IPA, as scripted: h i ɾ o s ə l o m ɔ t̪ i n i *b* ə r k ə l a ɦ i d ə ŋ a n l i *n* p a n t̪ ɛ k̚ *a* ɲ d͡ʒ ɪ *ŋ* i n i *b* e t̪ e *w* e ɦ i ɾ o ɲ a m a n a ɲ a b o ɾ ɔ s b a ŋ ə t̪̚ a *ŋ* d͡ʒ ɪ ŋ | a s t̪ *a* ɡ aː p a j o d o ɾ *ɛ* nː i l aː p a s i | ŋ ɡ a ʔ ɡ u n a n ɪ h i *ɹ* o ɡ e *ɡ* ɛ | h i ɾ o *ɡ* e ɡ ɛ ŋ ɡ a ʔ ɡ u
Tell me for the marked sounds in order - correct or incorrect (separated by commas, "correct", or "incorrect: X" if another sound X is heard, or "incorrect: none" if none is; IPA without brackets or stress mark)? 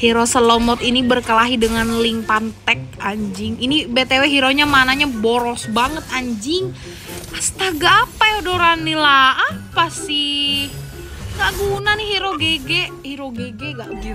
correct, incorrect: ŋ, correct, correct, correct, correct, incorrect: ɲ, correct, incorrect: a, incorrect: ɾ, correct, correct